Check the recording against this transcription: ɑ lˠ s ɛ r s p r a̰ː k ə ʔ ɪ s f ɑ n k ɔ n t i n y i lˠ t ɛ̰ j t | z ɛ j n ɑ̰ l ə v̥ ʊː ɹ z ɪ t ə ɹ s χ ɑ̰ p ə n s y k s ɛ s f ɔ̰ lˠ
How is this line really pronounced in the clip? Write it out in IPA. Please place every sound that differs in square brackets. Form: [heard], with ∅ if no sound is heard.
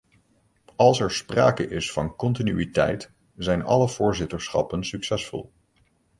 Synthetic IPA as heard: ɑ lˠ s ɛ [ɹ] s p r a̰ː k ə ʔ ɪ s f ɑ n k ɔ n t i n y i [∅] t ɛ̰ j t | z ɛ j n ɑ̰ l ə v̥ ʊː ɹ z ɪ t ə ɹ s χ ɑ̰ p ə n s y k s ɛ s f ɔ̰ lˠ